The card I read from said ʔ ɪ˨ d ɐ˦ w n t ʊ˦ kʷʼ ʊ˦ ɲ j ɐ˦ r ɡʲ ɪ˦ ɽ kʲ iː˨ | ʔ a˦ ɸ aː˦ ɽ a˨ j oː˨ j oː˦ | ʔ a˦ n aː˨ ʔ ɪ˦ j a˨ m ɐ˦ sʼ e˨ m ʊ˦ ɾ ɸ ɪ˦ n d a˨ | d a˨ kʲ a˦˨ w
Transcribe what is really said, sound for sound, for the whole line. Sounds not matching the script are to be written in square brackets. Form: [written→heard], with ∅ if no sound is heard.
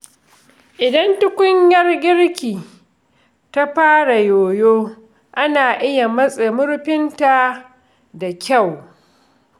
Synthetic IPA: ʔ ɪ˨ d ɐ˦ [w→∅] n t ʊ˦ [kʷʼ→kʷ] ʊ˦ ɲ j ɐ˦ r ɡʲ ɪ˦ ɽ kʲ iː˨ | [ʔ→t] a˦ ɸ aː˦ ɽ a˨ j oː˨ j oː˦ | ʔ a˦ n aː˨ ʔ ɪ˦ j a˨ m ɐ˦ sʼ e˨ m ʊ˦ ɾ ɸ ɪ˦ n [d→t] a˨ | d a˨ kʲ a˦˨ w